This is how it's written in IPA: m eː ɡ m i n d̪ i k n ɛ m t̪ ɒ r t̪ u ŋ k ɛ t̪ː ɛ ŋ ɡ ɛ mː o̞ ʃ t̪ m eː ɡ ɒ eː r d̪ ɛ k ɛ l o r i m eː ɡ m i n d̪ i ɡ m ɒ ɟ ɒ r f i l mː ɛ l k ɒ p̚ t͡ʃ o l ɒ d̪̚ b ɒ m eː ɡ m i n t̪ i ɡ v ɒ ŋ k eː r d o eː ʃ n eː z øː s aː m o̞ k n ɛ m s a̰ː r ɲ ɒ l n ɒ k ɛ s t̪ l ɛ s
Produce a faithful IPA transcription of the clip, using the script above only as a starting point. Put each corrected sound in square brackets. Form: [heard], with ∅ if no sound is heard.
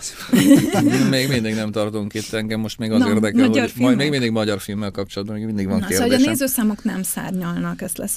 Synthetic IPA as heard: m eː ɡ m i n d̪ i [ɡ] n ɛ m t̪ ɒ r t̪ u ŋ k [i] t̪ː ɛ ŋ ɡ ɛ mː o̞ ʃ t̪ m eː ɡ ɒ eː r d̪ ɛ k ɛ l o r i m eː ɡ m i n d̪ i ɡ m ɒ ɟ ɒ r f i l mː ɛ l k ɒ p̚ t͡ʃ o l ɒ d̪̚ b ɒ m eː ɡ m i n [d̪] i ɡ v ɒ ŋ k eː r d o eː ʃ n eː z øː s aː m o̞ k n ɛ m s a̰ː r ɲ ɒ l n ɒ k ɛ s t̪ l ɛ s